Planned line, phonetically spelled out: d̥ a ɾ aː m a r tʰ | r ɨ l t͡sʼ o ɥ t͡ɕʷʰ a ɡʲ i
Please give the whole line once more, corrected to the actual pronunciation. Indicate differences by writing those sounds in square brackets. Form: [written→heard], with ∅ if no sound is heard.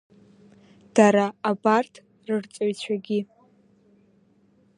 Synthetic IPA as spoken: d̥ a ɾ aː [m→b] a r tʰ | r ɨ [l→r] t͡sʼ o ɥ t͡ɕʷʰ a ɡʲ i